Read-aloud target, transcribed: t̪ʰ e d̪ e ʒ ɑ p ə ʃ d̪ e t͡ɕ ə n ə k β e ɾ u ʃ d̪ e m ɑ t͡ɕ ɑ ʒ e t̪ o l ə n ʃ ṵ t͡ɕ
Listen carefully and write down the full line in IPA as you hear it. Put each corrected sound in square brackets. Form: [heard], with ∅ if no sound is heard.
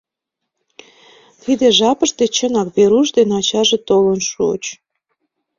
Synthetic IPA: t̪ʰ [i] d̪ e ʒ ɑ p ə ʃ [t̪] e t͡ɕ ə n [ɑ] k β e ɾ u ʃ d̪ e [n] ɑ t͡ɕ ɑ ʒ e t̪ o l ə n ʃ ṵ t͡ɕ